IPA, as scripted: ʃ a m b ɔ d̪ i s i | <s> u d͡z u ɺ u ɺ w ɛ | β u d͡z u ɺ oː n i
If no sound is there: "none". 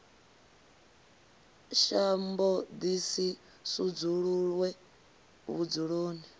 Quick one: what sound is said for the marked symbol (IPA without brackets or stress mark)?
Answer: s